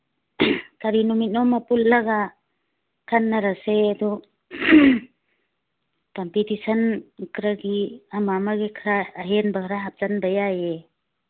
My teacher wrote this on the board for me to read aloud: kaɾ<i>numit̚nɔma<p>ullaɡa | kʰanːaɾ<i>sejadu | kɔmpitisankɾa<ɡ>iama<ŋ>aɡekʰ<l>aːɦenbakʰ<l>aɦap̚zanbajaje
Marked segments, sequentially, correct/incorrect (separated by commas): correct, correct, incorrect, correct, incorrect, incorrect, incorrect